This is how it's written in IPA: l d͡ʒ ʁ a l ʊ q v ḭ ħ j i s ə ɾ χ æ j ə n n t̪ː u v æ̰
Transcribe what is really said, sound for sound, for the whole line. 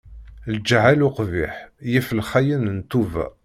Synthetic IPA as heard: l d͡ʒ ʕ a l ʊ q v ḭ ħ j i f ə l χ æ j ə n n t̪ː u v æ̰